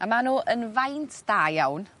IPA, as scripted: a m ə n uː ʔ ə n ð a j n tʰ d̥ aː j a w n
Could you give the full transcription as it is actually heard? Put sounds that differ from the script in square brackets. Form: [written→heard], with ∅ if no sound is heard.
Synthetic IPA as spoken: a m [ə→a] n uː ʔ ə n [ð→v] a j n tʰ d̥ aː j a w n